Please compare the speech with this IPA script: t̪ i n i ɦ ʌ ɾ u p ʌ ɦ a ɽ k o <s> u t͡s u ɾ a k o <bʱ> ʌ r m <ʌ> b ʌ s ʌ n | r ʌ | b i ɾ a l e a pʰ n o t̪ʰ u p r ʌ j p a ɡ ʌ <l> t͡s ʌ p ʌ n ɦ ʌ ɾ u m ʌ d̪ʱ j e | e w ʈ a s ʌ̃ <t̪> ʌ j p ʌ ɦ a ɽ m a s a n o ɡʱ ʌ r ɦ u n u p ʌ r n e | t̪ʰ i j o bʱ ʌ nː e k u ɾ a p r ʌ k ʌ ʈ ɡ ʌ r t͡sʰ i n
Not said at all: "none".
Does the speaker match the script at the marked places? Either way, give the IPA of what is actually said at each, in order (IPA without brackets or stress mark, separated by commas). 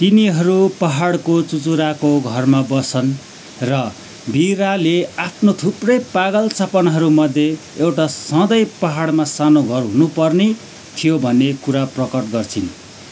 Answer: t͡s, ɡʱ, a, l, d̪